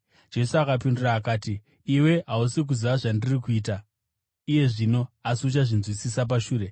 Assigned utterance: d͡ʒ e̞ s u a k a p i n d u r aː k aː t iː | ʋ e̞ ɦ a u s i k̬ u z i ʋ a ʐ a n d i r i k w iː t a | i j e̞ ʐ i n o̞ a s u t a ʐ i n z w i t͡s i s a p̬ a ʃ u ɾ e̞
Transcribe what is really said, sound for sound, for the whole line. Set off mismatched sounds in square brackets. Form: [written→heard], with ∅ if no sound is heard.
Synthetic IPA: d͡ʒ e̞ s u a k a p i n d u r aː k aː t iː | [ʋ→w] e̞ ɦ a u s i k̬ u z i ʋ a ʐ a n d i r i k [w→u] iː t a | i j e̞ ʐ i n o̞ a s u [t→t͡ʃ] a ʐ i n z w i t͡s i s a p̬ a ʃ [u→uː] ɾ e̞

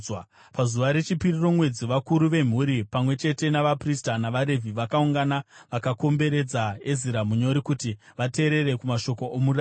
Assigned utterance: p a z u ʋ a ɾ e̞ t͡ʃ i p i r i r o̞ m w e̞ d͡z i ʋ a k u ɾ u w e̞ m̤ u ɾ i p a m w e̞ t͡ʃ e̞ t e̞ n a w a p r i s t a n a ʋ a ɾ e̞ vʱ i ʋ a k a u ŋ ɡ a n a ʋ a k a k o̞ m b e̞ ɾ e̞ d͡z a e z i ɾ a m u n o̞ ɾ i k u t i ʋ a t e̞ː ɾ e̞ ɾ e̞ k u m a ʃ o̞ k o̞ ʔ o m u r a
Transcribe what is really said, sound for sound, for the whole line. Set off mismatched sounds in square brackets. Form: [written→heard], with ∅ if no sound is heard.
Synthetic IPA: p a z u ʋ a ɾ e̞ t͡ʃ i p i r i r o̞ m w e̞ d͡z i ʋ a k u ɾ u [w→ʋ] e̞ m̤ u ɾ i p a m w e̞ t͡ʃ e̞ t e̞ n a [w→ʋ] a p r i s t a n a ʋ a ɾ e̞ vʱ i ʋ a k a u ŋ ɡ a n a ʋ a k a k o̞ m b e̞ ɾ e̞ d͡z a e z i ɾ a m u [n→ɲ] o̞ ɾ i k u t i ʋ a t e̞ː ɾ e̞ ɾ e̞ k u m a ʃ o̞ k o̞ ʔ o m u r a

